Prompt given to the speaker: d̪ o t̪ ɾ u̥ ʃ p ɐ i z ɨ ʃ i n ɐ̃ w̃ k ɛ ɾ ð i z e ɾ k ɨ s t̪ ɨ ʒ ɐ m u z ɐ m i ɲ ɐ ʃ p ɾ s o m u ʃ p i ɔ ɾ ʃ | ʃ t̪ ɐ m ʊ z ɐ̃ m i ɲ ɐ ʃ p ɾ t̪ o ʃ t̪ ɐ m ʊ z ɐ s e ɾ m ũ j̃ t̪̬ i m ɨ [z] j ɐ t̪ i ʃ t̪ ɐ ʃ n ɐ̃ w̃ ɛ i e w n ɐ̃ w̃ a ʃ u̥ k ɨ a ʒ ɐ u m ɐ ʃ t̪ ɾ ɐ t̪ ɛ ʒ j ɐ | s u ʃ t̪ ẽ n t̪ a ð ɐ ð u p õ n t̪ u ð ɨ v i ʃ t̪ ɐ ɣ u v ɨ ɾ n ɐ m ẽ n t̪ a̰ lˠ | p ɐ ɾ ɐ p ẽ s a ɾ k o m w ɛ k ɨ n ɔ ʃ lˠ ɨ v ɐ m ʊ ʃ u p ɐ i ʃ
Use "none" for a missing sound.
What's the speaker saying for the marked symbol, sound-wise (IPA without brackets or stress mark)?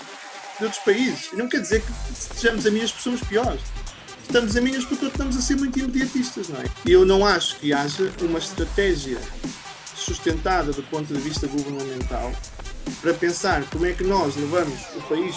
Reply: ð